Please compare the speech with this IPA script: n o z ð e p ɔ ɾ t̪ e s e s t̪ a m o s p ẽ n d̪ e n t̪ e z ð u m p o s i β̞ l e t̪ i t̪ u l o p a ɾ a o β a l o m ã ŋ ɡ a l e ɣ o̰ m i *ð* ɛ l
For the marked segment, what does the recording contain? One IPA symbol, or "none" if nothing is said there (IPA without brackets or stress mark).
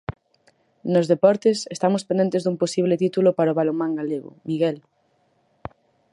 ɣ